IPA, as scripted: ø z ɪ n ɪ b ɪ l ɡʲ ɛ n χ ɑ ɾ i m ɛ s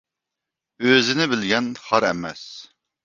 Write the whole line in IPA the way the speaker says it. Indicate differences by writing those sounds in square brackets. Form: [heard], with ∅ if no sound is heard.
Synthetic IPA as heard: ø z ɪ n ɪ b ɪ l ɡʲ ɛ n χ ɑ ɾ [ɛ] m ɛ s